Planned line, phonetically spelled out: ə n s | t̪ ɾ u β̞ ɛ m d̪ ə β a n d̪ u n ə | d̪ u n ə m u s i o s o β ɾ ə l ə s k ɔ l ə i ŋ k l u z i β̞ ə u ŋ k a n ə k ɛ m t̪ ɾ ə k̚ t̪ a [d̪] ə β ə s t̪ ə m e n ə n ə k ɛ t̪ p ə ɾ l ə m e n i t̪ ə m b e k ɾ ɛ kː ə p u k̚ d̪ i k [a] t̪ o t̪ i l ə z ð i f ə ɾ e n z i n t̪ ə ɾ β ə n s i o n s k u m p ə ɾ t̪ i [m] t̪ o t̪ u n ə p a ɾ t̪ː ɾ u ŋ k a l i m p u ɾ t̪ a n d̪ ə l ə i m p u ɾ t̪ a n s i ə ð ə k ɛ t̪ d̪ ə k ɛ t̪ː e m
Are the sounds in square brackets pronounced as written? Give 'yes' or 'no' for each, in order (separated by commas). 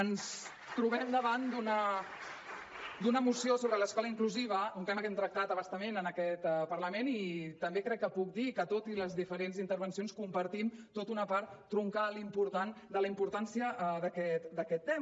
no, no, yes